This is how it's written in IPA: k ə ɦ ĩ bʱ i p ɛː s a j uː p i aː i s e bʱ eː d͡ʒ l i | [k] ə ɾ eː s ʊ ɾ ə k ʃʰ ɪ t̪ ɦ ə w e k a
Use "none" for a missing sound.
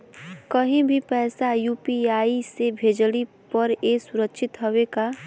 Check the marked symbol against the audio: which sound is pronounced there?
p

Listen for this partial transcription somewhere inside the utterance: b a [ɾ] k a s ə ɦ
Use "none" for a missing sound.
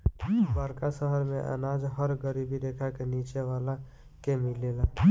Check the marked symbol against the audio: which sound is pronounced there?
ɾ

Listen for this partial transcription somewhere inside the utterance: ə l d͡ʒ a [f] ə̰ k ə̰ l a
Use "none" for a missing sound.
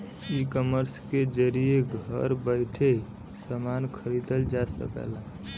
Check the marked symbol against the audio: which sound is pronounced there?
s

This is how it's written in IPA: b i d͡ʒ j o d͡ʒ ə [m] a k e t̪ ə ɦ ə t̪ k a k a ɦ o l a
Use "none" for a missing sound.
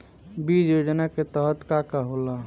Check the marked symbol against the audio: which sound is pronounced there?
n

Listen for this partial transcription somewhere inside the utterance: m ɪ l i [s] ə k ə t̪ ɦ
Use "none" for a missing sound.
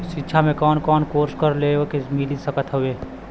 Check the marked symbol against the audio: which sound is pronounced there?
s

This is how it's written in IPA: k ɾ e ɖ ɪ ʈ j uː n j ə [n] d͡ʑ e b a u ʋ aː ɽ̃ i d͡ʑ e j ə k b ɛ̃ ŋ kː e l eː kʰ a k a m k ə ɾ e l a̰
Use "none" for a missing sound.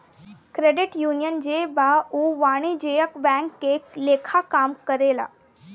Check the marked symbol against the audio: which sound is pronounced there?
n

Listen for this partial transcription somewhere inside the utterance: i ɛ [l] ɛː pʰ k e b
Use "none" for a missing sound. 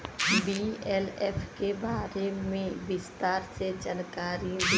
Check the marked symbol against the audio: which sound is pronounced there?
l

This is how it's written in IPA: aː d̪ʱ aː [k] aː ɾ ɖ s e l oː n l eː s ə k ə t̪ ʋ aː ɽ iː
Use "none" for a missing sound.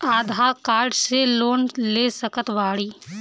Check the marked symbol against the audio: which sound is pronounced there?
k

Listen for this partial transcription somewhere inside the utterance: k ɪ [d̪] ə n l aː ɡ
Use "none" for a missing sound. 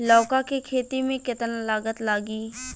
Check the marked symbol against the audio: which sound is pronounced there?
t̪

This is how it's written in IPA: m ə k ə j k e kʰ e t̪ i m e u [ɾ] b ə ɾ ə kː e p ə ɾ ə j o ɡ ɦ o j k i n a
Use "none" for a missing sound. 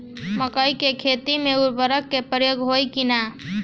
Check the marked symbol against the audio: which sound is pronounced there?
ɾ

